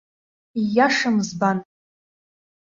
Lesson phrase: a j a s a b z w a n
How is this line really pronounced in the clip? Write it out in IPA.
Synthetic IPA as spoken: i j a ʂ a m z b a n